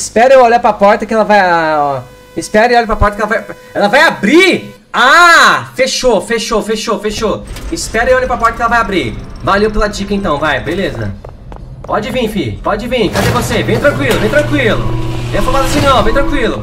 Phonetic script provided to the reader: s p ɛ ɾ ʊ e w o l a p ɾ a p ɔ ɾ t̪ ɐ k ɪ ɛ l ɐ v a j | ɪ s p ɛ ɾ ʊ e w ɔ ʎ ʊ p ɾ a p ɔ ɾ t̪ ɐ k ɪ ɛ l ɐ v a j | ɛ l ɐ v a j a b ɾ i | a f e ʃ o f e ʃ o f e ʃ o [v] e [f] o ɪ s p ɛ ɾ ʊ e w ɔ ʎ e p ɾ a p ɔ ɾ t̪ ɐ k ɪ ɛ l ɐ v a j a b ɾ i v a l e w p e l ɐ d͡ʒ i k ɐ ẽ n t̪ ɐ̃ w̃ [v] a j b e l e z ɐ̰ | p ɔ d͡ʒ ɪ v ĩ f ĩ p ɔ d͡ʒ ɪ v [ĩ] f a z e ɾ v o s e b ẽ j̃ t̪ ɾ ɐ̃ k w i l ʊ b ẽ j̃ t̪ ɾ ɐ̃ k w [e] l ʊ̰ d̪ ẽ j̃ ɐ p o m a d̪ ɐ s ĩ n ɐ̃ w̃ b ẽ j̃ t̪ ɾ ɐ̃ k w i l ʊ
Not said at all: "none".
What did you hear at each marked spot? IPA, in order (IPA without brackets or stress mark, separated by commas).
f, ʃ, v, ĩ, i